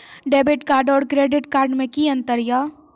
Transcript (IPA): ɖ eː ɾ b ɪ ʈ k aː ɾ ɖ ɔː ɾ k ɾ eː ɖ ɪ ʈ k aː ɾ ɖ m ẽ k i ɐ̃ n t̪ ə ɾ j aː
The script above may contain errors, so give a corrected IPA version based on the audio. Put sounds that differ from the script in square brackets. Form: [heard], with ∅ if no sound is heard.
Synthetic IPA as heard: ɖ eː [∅] b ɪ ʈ k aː ɾ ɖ ɔː ɾ k ɾ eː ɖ ɪ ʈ k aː ɾ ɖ m ẽ k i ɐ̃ n t̪ ə ɾ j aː